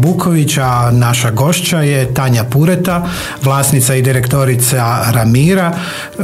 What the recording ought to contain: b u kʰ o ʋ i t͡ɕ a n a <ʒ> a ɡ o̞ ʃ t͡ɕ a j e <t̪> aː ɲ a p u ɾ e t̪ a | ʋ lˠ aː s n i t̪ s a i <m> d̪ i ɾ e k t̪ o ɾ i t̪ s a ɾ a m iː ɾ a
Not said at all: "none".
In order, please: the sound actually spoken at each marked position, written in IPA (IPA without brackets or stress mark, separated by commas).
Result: ʃ, t̪, none